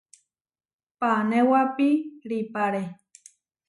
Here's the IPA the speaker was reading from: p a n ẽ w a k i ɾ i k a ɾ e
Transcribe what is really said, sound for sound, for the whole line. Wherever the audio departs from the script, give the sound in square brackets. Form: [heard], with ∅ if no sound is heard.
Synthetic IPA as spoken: p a n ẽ w a [p] i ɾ i [p] a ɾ e